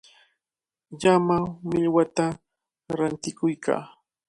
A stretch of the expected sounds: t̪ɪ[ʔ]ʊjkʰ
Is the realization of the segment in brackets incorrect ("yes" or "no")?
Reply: yes